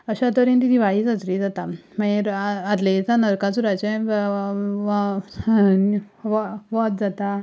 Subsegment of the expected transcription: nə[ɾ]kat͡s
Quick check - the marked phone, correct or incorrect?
correct